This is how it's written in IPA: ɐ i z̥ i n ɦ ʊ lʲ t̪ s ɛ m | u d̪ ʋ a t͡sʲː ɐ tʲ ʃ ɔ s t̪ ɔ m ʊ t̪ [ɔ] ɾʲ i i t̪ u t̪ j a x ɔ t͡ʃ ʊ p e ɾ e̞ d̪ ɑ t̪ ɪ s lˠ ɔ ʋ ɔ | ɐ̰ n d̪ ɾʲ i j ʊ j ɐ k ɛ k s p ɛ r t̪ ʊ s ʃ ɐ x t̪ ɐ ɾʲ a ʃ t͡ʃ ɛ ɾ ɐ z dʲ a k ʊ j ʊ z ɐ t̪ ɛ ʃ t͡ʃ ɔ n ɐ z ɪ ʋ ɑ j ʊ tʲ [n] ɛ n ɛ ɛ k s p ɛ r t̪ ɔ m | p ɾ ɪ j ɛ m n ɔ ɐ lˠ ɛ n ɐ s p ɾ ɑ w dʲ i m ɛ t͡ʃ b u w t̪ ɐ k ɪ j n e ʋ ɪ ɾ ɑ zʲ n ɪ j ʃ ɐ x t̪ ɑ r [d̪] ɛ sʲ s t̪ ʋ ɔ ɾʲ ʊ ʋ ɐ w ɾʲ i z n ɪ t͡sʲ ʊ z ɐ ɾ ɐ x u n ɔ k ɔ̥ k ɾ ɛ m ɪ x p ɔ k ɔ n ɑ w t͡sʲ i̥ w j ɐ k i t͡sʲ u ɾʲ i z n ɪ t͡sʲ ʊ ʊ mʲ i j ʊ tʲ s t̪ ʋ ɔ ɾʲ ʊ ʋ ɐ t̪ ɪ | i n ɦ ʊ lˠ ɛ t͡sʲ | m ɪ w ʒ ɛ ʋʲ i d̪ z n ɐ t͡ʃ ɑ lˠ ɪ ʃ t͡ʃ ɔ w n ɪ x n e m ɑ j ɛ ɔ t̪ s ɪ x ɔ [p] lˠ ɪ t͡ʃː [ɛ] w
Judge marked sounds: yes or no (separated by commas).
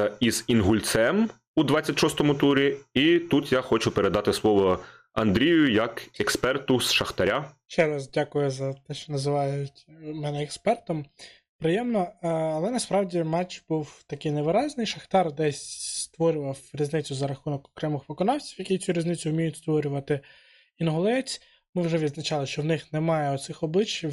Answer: no, no, yes, no, no